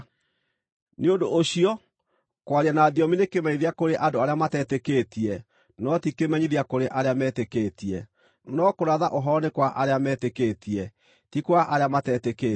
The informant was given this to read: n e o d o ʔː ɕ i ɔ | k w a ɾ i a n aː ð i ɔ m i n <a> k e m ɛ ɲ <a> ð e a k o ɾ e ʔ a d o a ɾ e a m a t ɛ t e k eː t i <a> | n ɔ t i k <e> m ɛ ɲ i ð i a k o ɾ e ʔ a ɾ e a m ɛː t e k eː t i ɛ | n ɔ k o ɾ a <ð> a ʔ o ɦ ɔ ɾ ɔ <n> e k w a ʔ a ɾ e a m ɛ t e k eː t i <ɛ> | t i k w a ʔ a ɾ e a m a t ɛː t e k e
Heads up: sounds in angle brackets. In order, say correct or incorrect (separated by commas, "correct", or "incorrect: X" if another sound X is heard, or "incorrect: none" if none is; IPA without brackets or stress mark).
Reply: incorrect: e, incorrect: i, incorrect: ɛ, correct, correct, correct, correct